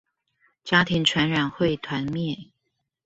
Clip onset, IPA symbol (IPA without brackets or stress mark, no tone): t͡ɕ